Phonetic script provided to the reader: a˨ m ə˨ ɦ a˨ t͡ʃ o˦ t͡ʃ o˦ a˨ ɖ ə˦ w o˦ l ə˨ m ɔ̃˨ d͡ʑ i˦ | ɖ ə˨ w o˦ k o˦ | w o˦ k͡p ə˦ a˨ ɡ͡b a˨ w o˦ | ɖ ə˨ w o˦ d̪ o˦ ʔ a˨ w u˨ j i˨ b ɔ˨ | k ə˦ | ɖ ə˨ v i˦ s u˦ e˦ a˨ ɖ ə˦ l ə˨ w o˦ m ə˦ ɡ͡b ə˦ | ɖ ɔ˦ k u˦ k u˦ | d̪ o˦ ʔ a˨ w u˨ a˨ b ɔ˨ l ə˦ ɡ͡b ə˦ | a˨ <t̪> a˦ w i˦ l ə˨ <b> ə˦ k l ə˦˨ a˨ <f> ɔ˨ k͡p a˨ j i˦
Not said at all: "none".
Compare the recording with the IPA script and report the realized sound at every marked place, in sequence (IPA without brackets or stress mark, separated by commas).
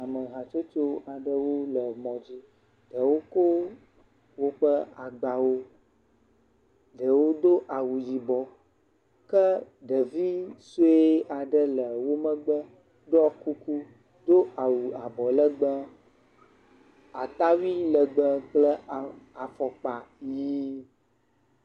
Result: t̪, ɡ͡b, f